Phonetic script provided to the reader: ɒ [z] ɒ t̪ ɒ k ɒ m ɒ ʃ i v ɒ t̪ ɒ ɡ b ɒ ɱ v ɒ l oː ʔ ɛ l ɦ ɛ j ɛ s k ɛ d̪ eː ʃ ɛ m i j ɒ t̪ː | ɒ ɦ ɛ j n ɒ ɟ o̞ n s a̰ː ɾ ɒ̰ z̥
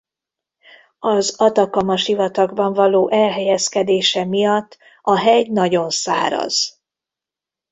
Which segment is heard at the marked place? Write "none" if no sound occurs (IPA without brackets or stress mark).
z